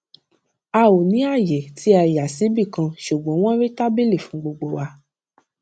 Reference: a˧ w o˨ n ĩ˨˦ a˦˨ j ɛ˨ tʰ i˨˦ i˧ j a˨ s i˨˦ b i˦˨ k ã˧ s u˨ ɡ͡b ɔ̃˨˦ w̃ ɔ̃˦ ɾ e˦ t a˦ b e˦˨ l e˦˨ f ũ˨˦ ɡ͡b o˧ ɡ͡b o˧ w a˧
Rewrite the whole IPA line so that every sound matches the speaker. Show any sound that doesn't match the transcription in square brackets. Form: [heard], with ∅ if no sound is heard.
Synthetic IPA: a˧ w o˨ n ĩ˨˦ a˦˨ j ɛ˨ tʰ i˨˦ [a˧] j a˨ s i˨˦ b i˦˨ k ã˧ [ʃ] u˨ ɡ͡b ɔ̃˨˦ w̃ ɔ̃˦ ɾ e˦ t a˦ b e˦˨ l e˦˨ f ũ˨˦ ɡ͡b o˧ ɡ͡b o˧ w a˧